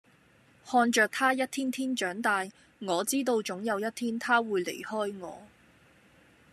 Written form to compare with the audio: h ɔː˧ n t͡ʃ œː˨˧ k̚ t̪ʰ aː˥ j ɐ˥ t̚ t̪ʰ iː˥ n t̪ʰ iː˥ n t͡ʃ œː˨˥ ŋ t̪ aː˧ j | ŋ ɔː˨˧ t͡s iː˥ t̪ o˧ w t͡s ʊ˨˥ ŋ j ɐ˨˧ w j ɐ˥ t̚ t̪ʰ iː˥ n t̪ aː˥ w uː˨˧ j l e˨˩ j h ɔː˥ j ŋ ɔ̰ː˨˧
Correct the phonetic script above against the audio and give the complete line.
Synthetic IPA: h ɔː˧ n t͡ʃ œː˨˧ k̚ t̪ʰ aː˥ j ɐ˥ t̚ t̪ʰ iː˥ n t̪ʰ iː˥ n t͡ʃ œː˨˥ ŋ t̪ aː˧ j | ŋ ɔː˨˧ t͡s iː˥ t̪ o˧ w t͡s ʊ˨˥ ŋ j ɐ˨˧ w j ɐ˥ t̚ t̪ʰ iː˥ n t̪ʰ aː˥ w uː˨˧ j l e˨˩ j h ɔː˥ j ŋ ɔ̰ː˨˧

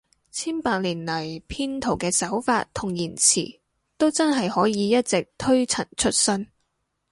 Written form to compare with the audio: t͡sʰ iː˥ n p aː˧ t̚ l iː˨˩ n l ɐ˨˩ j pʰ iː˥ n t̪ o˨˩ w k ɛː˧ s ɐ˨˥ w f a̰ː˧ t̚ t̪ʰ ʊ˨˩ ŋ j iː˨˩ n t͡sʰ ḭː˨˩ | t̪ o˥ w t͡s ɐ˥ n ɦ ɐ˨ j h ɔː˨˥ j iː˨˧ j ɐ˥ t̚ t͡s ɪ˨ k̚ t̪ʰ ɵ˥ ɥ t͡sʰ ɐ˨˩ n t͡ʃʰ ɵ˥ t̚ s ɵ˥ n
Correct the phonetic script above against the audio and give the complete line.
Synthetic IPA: t͡sʰ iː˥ n p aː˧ k̚ l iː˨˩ n l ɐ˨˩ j pʰ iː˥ n t̪ʰ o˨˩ w k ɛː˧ s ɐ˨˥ w f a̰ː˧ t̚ t̪ʰ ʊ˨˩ ŋ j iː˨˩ n t͡sʰ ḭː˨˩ | t̪ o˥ w t͡s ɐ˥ n ɦ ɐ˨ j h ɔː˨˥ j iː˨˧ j ɐ˥ t̚ t͡s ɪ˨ k̚ t̪ʰ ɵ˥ ɥ t͡sʰ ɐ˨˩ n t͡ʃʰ ɵ˥ t̚ s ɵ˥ n

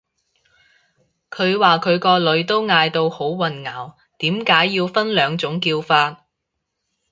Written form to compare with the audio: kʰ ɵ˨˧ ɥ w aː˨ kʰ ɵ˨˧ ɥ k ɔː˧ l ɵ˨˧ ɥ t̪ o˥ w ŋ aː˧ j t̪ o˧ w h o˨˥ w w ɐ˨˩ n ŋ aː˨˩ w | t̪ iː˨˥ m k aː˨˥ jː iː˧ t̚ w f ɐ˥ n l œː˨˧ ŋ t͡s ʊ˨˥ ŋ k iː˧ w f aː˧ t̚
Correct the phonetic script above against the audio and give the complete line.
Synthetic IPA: kʰ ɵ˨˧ ɥ w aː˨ kʰ ɵ˨˧ ɥ k ɔː˧ l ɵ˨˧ ɥ t̪ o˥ w ŋ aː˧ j t̪ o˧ w h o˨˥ w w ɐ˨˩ n ŋ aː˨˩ w | t̪ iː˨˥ m k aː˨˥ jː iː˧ w f ɐ˥ n l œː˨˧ ŋ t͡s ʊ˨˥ ŋ k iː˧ w f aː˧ t̚

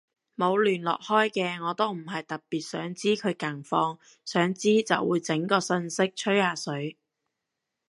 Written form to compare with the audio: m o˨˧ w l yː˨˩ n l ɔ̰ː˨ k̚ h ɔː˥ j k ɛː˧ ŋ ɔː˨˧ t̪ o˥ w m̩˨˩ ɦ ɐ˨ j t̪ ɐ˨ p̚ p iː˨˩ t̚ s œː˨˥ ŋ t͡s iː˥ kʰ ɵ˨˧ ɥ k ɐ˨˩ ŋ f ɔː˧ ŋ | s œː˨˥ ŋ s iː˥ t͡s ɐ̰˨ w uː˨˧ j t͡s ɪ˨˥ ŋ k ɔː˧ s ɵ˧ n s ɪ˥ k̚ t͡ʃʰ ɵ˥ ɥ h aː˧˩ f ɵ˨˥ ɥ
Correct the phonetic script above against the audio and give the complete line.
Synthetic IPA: m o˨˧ w l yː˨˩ n l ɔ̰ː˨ k̚ h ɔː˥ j k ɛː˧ ŋ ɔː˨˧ t̪ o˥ w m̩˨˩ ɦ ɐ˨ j t̪ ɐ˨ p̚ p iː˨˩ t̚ s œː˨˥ ŋ t͡s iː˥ kʰ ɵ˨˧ ɥ k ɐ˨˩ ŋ f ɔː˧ ŋ | s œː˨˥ ŋ t͡s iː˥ t͡s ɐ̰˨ w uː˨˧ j t͡s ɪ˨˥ ŋ k ɔː˧ s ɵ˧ n s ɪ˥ k̚ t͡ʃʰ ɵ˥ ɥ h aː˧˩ s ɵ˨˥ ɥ

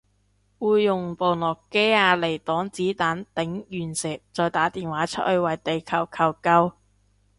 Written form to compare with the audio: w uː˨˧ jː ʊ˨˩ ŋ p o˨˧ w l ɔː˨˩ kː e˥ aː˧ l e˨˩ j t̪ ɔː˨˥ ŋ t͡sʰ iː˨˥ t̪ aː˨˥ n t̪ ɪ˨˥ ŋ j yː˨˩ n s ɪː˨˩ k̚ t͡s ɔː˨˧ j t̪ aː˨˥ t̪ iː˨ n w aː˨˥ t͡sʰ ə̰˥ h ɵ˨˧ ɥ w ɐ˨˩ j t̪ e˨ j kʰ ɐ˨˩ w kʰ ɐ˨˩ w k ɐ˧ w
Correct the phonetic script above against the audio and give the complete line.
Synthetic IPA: w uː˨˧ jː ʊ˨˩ ŋ p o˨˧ w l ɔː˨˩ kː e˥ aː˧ l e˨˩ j t̪ ɔː˨˥ ŋ t͡s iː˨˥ t̪ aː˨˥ n t̪ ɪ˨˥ ŋ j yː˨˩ n s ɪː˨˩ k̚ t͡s ɔː˨˧ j t̪ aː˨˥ t̪ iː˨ n w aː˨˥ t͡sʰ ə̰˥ h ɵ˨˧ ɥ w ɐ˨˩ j t̪ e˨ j kʰ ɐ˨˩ w kʰ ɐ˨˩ w k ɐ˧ w

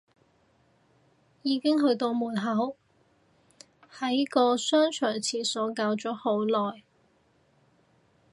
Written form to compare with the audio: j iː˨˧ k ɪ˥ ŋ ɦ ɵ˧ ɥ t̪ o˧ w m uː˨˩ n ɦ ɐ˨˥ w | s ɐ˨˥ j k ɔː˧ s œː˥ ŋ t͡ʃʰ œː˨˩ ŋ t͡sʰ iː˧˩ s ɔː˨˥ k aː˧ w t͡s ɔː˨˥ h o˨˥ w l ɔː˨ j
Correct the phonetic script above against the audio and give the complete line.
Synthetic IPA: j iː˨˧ k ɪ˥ ŋ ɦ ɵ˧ ɥ t̪ o˧ w m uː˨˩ n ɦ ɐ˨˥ w | h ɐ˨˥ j k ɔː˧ s œː˥ ŋ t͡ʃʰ œː˨˩ ŋ t͡sʰ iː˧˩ s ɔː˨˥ k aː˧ w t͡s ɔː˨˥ h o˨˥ w l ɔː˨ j

